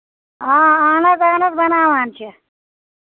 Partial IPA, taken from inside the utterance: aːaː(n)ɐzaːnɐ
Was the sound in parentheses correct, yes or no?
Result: yes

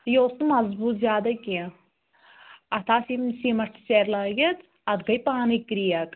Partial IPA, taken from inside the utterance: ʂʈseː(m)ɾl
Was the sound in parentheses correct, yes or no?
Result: no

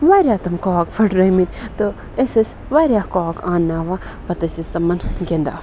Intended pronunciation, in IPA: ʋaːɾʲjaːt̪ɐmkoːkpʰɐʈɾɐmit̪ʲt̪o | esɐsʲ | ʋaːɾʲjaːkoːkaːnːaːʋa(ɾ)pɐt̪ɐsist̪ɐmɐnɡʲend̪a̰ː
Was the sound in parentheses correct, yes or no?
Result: no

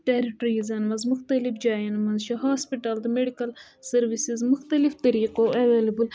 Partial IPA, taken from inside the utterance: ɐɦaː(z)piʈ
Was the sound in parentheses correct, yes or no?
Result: no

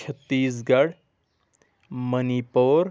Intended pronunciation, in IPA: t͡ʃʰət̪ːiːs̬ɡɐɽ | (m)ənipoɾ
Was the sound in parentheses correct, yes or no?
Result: yes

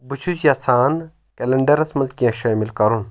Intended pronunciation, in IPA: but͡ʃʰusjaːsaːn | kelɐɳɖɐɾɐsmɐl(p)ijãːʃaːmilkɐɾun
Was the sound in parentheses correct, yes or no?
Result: no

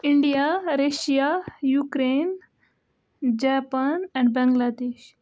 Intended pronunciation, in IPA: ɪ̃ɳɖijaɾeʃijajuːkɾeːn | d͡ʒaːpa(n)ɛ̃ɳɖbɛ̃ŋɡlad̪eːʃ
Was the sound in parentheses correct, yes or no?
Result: yes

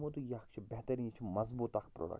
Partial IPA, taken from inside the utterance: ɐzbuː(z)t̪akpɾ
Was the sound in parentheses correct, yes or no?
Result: no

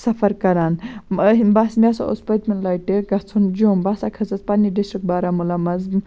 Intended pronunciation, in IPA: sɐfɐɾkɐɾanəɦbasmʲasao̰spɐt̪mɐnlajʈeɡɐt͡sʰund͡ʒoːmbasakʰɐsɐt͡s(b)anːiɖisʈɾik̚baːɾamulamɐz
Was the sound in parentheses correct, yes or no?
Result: no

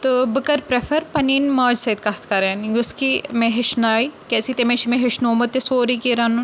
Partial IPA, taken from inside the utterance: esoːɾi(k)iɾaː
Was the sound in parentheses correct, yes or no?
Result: yes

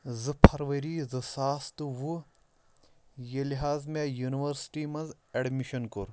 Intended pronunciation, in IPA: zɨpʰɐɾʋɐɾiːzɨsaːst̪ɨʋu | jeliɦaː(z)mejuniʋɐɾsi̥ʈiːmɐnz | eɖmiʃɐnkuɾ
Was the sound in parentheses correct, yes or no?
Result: yes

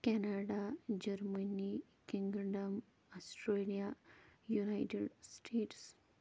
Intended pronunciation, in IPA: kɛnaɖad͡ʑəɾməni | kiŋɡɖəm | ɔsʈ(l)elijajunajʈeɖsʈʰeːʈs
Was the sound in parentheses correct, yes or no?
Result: no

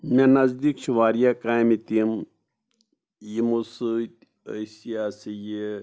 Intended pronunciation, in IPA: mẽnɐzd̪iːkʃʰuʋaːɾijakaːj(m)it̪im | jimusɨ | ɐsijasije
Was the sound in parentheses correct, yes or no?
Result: yes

